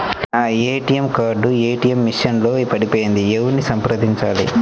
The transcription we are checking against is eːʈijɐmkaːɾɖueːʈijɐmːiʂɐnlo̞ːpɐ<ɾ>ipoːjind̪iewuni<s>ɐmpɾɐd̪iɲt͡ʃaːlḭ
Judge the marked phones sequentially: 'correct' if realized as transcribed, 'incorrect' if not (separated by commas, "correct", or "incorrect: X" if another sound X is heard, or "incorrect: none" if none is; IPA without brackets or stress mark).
incorrect: ɽ, correct